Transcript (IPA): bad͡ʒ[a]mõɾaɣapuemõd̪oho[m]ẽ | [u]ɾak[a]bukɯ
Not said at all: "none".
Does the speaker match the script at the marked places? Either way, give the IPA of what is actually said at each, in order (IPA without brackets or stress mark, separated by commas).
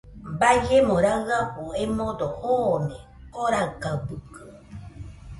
e, n, o, a